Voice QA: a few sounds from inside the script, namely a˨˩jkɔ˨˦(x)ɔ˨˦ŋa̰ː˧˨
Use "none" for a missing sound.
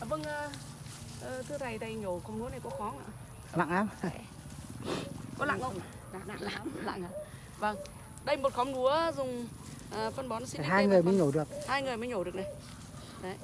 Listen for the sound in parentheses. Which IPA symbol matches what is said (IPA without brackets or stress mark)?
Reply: x